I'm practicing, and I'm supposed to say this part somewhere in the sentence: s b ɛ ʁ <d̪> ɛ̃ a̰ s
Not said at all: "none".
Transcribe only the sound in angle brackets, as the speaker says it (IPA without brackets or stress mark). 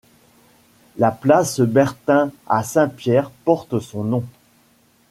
t̪